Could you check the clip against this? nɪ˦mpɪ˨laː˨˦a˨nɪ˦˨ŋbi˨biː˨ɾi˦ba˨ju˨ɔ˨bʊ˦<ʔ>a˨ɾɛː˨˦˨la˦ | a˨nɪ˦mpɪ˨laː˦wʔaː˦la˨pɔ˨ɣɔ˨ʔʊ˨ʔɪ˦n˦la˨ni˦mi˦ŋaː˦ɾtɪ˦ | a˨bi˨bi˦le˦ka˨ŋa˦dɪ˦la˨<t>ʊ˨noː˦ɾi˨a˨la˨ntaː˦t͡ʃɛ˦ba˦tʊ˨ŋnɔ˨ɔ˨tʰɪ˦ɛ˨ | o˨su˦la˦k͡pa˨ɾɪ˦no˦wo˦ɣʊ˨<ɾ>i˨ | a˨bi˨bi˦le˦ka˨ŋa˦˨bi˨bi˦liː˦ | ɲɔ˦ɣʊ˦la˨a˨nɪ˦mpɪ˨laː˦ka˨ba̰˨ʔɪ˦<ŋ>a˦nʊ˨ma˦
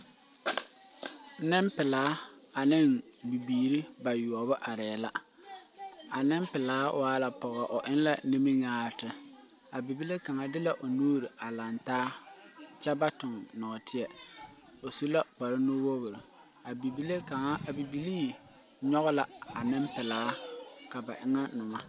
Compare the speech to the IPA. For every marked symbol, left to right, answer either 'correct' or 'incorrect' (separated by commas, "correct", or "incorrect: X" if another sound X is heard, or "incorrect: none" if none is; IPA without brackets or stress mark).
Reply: correct, incorrect: ʔ, correct, correct